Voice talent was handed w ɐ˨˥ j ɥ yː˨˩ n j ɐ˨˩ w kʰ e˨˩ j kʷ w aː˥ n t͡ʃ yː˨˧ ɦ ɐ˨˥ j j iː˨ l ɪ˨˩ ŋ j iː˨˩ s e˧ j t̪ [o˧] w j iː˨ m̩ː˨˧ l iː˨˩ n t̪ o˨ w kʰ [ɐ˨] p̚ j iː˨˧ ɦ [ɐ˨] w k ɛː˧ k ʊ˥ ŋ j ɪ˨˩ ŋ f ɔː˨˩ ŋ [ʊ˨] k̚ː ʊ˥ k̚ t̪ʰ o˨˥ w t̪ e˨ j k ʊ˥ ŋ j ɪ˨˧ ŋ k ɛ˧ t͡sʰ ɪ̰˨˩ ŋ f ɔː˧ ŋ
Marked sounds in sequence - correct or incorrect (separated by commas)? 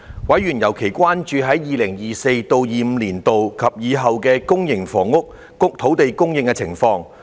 correct, correct, correct, incorrect